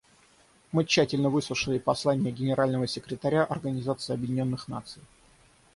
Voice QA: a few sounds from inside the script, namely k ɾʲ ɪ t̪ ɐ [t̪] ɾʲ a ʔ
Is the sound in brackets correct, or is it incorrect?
incorrect